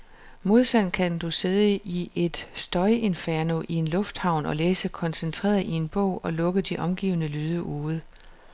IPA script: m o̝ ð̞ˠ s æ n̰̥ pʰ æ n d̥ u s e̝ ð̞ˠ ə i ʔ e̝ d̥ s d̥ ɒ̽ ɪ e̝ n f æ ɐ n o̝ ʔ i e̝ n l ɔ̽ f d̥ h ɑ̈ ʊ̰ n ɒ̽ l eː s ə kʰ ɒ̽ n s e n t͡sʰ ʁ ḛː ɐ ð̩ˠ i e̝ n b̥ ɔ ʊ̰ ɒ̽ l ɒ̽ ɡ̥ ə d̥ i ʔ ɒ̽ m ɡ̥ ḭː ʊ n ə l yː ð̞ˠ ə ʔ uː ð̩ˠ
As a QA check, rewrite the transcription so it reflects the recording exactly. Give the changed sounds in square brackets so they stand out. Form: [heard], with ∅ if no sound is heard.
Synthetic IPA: m o̝ ð̞ˠ s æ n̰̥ [kʰ] æ n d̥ u s e̝ ð̞ˠ ə i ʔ e̝ d̥ s d̥ ɒ̽ ɪ e̝ n f æ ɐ n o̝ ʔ i e̝ n l ɔ̽ f d̥ h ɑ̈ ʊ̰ n ɒ̽ l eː s ə kʰ ɒ̽ n s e n t͡sʰ ʁ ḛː ɐ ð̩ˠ i e̝ n b̥ ɔ ʊ̰ ɒ̽ l [ɔ̽] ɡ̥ ə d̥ i ʔ ɒ̽ m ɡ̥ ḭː ʊ n ə l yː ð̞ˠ ə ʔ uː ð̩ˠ

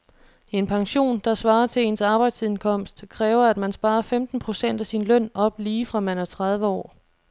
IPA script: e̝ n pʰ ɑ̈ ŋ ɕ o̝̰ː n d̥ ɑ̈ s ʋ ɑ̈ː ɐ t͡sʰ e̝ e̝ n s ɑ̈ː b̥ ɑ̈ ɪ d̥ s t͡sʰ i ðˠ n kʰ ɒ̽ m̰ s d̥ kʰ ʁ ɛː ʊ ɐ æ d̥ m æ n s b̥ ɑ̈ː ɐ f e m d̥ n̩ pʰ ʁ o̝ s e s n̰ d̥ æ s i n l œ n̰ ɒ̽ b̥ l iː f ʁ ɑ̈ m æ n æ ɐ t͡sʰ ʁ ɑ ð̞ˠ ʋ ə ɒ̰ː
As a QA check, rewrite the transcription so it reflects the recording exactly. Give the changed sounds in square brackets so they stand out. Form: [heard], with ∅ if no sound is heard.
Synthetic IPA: e̝ n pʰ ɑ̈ ŋ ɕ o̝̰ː n d̥ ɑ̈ s ʋ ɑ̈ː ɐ t͡sʰ e̝ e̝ n s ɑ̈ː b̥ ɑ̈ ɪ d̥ s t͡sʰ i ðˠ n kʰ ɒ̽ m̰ s d̥ kʰ ʁ ɛː ʊ ɐ æ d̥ m æ n s b̥ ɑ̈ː ɐ f e m d̥ n̩ pʰ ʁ o̝ s e [∅] n̰ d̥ æ s i n l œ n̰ ɒ̽ b̥ l iː f ʁ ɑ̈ m æ n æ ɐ t͡sʰ ʁ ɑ ð̞ˠ ʋ ə ɒ̰ː

